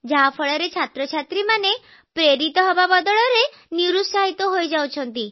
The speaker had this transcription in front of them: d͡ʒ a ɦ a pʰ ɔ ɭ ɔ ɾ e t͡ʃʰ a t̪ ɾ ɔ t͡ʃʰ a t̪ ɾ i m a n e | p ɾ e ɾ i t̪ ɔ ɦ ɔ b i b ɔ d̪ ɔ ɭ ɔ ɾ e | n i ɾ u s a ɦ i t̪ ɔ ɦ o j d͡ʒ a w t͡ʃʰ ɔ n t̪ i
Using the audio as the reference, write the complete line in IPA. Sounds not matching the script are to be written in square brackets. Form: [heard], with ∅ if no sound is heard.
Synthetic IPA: d͡ʒ a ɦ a pʰ ɔ ɭ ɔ ɾ e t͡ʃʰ a t̪ ɾ ɔ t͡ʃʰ a t̪ ɾ i m a n e | p ɾ e ɾ i t̪ ɔ ɦ ɔ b [a] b ɔ d̪ ɔ ɭ ɔ ɾ e | n i ɾ u s a ɦ i t̪ ɔ ɦ o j d͡ʒ a w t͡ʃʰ ɔ n t̪ i